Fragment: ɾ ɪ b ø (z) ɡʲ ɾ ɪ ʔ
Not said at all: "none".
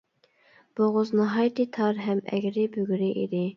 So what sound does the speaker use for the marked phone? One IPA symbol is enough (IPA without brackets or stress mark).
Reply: none